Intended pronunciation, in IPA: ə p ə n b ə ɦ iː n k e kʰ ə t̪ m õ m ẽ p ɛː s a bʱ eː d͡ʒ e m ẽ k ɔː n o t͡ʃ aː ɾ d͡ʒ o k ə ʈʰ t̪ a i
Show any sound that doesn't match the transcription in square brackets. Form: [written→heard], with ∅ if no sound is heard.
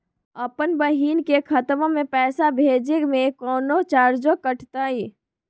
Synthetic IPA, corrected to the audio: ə p ə n b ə ɦ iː n k e kʰ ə t̪ m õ m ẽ p ɛː s a bʱ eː d͡ʒ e m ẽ k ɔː n o t͡ʃ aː ɾ d͡ʒ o k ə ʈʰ t̪ a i